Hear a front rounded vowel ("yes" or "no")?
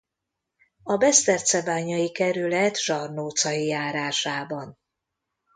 yes